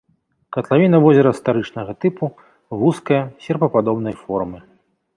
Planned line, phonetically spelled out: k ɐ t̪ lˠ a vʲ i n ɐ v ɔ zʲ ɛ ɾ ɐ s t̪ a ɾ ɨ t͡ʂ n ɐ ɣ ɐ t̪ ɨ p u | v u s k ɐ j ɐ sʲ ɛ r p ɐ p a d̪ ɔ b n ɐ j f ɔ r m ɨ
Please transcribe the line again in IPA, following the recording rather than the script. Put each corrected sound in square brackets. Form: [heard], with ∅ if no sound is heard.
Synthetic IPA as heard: k ɐ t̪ lˠ a vʲ i n ɐ v ɔ zʲ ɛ ɾ ɐ s t̪ a ɾ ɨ t͡ʂ n ɐ ɣ ɐ t̪ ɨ p u | v u s k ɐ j ɐ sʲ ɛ r p ɐ p a d̪ ɔ b n ɐ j f ɔ r m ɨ